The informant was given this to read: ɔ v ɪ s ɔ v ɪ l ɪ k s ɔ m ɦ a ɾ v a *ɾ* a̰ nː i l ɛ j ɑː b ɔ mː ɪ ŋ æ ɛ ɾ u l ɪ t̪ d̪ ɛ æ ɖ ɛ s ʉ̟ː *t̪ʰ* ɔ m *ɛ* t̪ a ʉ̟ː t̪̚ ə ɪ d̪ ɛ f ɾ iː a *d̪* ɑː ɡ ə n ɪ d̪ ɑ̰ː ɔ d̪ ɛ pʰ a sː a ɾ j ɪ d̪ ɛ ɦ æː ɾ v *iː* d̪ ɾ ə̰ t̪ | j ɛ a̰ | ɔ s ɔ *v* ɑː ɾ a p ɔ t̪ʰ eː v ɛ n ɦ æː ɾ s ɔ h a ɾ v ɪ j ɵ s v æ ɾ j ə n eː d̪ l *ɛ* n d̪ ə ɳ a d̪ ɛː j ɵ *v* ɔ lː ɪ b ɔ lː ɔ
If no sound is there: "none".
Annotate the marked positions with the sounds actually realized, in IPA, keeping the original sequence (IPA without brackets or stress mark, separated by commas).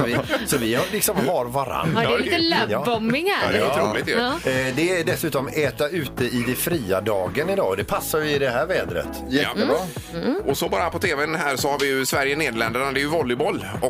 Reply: ɾ, t̪, ɛː, d̪, ɛː, b, ɛ, v